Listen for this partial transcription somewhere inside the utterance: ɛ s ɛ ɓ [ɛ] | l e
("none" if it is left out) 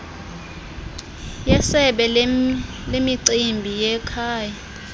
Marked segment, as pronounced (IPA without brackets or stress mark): ɛ